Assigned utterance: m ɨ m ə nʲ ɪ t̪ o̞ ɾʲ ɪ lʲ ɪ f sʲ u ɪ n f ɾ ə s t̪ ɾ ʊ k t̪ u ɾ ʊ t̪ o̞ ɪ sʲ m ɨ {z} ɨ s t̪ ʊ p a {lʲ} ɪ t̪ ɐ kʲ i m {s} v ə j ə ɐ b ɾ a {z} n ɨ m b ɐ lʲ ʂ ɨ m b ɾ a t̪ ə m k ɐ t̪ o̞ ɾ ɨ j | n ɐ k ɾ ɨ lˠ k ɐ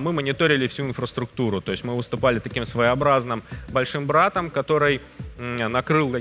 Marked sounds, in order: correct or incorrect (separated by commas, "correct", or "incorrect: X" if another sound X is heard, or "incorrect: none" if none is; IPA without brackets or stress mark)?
incorrect: v, correct, correct, correct